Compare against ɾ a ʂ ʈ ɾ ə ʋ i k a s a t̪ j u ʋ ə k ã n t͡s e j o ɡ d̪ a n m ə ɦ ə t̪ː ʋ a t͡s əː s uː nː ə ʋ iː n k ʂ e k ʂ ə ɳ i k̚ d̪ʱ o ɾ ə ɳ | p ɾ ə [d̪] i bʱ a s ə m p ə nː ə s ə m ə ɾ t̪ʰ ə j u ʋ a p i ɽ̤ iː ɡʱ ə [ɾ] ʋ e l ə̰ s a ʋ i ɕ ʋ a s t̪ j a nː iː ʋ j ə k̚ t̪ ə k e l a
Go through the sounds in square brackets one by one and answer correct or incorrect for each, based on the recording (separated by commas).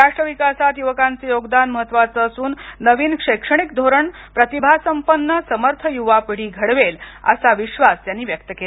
incorrect, incorrect